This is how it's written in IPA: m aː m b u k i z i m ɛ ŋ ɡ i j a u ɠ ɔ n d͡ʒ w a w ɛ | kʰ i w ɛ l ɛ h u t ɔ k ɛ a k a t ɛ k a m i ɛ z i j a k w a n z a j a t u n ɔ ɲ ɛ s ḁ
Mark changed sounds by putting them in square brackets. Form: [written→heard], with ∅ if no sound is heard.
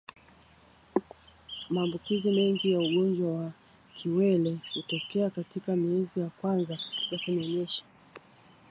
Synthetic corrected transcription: m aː m b u k i z i m ɛ ŋ ɡ i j a u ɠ ɔ n d͡ʒ w a w [ɛ→a] | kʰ i w ɛ l ɛ h u t ɔ k ɛ a k a t [ɛ→i] k a m i ɛ z i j a k w a n z a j a [t→k] u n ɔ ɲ ɛ [s→ʃ] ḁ

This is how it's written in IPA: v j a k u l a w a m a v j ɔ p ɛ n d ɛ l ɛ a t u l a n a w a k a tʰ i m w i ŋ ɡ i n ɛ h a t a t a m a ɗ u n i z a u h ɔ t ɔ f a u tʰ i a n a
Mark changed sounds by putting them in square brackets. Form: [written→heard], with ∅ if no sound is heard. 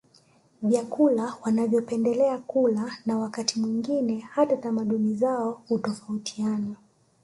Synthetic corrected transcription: v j a k u l a w a [m→n] a v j ɔ p ɛ n d ɛ l ɛ a [t→k] u l a n a w a k a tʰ i m w i ŋ ɡ i n ɛ h a t a t a m a ɗ u n i z a [u→ɔ] h [ɔ→u] t ɔ f a u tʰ i a n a

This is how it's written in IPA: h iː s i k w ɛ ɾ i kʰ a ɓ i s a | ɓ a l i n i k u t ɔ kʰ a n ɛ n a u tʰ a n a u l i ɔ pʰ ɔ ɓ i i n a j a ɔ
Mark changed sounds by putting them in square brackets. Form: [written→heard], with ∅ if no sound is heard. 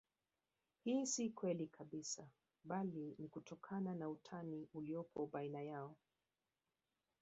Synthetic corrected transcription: h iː s i k w ɛ [ɾ→l] i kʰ a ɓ i s a | ɓ a l i n i k u t ɔ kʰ a n [ɛ→a] n a u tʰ a n [a→i] u l i ɔ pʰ ɔ ɓ [i→a] i n a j a ɔ

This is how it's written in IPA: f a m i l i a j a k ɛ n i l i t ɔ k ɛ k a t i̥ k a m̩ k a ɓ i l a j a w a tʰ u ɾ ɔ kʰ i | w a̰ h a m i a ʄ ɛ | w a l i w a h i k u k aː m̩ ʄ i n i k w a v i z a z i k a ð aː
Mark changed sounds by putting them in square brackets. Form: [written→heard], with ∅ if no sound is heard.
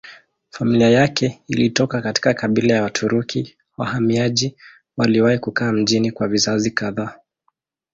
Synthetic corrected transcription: f a m i l i a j a k ɛ [n→∅] i l i t ɔ k [ɛ→a] k a t i̥ k a [m̩→∅] k a ɓ i l a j a w a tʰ u ɾ [ɔ→u] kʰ i | w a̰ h a m i a ʄ [ɛ→i] | w a l i w a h i k u k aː m̩ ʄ i n i k w a v i z a z i k a ð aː

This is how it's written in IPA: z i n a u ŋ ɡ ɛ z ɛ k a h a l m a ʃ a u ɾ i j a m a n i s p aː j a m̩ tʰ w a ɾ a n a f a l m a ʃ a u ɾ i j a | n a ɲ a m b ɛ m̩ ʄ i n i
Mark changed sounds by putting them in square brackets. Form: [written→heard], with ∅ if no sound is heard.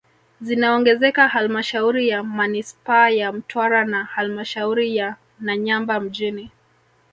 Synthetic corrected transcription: z i n a [u→ɔ] ŋ ɡ ɛ z ɛ k a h a l m a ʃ a u ɾ i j a m a n i s p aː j a m̩ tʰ w a ɾ a n a [f→h] a l m a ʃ a u ɾ i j a | n a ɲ a m b [ɛ→a] m̩ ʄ i n i

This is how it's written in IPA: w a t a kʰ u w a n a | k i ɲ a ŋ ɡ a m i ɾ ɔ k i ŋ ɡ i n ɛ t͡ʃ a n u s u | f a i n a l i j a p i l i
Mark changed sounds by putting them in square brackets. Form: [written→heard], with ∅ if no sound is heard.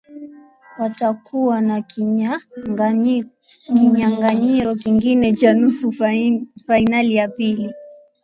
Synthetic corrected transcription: w a t a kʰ u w a n a | k i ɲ a ŋ ɡ a [m→ɲ] i ɾ ɔ k i ŋ ɡ i n ɛ t͡ʃ a n u s u | f a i n a l i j a p i l i

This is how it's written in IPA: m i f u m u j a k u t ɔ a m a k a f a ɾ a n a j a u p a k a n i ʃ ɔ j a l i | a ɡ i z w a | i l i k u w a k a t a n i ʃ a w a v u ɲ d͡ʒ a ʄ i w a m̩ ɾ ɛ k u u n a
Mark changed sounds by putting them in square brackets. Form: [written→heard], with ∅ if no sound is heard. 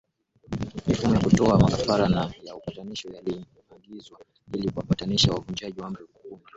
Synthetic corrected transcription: m i f u m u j a k u t ɔ a m a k a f a ɾ a n a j a u p a [k→t] a n i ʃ ɔ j a l i | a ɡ i z w a | i l i k u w a [k→p] a t a n i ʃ a w a v u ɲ d͡ʒ a ʄ i w a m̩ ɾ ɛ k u u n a

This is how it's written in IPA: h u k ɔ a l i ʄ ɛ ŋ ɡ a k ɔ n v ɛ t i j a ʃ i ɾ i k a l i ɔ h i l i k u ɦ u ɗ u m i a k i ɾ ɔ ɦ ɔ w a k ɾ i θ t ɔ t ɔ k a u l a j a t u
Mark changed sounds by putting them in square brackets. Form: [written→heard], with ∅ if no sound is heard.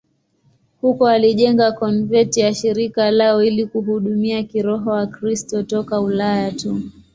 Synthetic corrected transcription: h u k ɔ a l i ʄ ɛ ŋ ɡ a k ɔ n v ɛ t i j a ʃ i ɾ i k a l [i→a] ɔ [h→∅] i l i k u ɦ u ɗ u m i a k i ɾ ɔ ɦ ɔ w a k ɾ i [θ→s] t ɔ t ɔ k a u l a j a t u

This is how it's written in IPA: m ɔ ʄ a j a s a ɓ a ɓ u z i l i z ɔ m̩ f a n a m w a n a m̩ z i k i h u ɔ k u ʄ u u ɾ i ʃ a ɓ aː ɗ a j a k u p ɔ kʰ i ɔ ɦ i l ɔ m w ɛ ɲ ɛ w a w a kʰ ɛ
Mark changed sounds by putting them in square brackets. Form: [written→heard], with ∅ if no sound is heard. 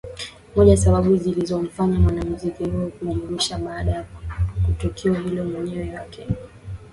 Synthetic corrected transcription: m ɔ ʄ a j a s a ɓ a ɓ u z i l i z ɔ m̩ f a [n→ɲ] a m w a n a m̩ z i k i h u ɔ k u ʄ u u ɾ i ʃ a ɓ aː ɗ a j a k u [p→t] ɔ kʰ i ɔ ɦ i l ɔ m w ɛ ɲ ɛ w [a→ɛ] w a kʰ ɛ

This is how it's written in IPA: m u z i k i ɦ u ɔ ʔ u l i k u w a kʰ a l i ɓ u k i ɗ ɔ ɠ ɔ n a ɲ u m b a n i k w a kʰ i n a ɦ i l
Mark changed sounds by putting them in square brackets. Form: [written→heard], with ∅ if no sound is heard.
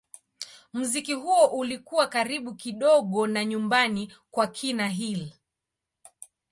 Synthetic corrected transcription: m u z i k i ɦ u ɔ ʔ u l i k u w a [kʰ→k] a [l→ɾ] i ɓ u k i ɗ ɔ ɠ ɔ n a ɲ u m b a n i k w a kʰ i n a ɦ i l

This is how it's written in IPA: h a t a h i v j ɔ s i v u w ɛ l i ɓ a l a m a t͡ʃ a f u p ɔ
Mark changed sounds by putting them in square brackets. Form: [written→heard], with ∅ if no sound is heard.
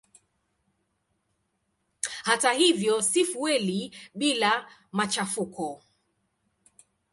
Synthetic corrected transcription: h a t a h i v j ɔ s i [v→f] u w ɛ l i ɓ [a→i] l a m a t͡ʃ a f u [p→k] ɔ

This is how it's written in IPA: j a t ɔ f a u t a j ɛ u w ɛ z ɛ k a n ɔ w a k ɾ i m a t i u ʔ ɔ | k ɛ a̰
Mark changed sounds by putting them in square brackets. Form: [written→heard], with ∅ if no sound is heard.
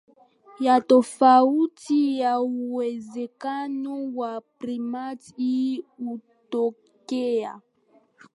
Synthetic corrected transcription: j a t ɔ f a u t [a→i] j [ɛ→a] u w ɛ z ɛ k a n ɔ w a [k→p] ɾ i m a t i u [ʔ→t] ɔ | k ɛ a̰

